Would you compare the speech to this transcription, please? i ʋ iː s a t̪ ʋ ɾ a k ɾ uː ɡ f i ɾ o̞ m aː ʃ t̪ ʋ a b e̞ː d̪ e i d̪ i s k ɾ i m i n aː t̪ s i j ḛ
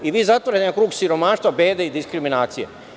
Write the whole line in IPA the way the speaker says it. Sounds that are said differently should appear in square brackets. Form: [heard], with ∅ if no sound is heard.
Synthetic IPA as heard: i ʋ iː [z] a t̪ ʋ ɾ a k ɾ uː ɡ [s] i ɾ o̞ m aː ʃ t̪ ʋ a b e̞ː d̪ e i d̪ i s k ɾ i m i n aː t̪ s i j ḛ